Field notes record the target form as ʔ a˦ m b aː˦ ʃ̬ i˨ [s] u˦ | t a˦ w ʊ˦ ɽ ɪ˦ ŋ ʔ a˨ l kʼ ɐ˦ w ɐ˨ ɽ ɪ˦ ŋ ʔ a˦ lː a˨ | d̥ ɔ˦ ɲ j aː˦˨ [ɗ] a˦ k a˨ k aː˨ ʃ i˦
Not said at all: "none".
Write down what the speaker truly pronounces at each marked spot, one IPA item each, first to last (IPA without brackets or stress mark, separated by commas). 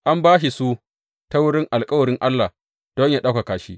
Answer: s, ɗ